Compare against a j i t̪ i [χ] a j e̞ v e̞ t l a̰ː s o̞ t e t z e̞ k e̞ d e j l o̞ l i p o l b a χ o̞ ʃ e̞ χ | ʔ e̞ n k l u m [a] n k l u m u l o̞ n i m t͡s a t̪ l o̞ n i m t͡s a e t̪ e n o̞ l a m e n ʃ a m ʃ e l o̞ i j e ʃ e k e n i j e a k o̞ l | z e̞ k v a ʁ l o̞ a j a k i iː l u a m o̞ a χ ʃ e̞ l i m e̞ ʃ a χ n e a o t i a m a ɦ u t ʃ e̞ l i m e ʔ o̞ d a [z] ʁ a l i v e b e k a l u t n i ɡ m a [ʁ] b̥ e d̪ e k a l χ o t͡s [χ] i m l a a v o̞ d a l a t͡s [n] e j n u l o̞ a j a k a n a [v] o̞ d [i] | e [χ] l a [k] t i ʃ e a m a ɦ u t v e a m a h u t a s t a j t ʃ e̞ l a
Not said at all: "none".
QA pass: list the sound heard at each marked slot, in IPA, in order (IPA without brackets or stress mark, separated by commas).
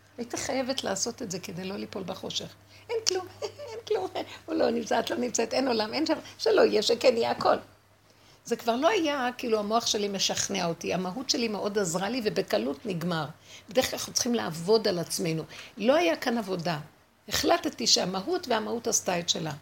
χ, e, z, ʁ, χ, m, v, a, χ, t